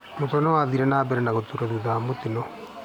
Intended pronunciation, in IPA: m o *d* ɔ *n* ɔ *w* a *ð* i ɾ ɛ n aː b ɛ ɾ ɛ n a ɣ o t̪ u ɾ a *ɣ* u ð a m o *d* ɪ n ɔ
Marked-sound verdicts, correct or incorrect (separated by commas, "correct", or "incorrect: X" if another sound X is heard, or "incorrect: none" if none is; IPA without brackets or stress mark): incorrect: t, correct, correct, correct, incorrect: ð, incorrect: t